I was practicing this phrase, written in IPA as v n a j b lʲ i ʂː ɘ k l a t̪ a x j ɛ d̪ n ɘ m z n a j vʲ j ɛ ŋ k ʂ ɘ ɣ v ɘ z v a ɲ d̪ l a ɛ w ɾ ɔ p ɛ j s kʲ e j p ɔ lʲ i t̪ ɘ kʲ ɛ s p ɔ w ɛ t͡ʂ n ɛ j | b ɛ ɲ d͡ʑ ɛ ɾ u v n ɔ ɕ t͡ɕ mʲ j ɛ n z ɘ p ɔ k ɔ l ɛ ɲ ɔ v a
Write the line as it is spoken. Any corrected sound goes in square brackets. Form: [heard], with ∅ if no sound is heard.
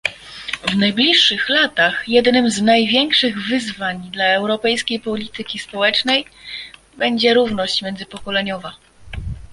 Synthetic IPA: v n a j b lʲ i ʂː ɘ [x] l a t̪ a x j ɛ d̪ n ɘ m z n a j vʲ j ɛ ŋ k ʂ ɘ ɣ v ɘ z v a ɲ d̪ l a ɛ w ɾ ɔ p ɛ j s kʲ e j p ɔ lʲ i t̪ ɘ kʲ [i] s p ɔ w ɛ t͡ʂ n ɛ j | b ɛ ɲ d͡ʑ ɛ ɾ u v n ɔ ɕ t͡ɕ mʲ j ɛ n z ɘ p ɔ k ɔ l ɛ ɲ ɔ v a